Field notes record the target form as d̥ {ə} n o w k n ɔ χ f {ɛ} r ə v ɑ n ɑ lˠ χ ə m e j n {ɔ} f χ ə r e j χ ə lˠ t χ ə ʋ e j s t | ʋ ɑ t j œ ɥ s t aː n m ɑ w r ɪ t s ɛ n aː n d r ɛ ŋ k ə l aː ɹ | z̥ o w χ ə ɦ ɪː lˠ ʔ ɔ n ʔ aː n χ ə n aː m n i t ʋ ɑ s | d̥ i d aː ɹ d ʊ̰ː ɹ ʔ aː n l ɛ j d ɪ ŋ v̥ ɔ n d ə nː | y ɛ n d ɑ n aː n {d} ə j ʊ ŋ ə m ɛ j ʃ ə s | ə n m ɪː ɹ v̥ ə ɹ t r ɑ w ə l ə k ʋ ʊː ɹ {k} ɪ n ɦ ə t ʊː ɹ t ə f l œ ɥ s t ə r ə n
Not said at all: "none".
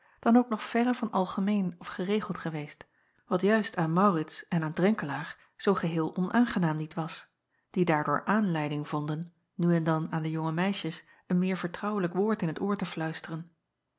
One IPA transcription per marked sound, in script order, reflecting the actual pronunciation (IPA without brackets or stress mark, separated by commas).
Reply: ɑ, ɛ, ɔ, d, t